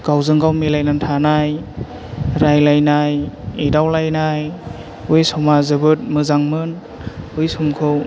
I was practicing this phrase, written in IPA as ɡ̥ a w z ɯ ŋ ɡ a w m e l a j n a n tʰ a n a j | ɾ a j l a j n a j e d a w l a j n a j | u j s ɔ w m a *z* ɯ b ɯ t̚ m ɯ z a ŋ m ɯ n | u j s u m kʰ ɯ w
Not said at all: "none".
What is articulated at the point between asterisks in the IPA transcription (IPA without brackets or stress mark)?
z